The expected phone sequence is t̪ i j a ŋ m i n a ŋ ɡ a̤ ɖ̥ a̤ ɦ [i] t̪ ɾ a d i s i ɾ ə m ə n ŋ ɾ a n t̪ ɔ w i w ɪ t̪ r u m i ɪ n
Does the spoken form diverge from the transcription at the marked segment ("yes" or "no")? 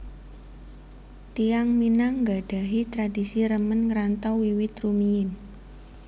no